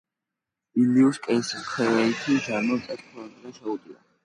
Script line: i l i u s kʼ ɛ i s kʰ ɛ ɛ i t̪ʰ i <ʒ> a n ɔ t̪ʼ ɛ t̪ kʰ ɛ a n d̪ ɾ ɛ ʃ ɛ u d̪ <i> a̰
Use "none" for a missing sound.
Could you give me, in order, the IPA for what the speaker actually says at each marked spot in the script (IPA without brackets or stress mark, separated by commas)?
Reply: ʒ, i